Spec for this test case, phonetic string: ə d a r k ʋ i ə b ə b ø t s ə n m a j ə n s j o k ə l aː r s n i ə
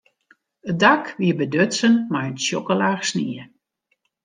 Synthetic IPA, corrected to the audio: ə d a k ʋ i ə b ə d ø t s ə n m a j ə n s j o k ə l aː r s n i ə